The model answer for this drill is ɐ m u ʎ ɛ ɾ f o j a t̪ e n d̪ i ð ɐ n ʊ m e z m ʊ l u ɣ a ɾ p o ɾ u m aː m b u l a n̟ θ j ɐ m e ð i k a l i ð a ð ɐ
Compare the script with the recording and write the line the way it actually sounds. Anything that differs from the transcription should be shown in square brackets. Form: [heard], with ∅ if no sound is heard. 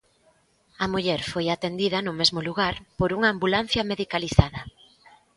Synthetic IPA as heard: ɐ m u ʎ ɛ ɾ f o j a t̪ e n d̪ i ð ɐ n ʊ m e z m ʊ l u ɣ a ɾ p o ɾ u [ŋ] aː m b u l a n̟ θ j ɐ m e ð i k a l i [θ] a ð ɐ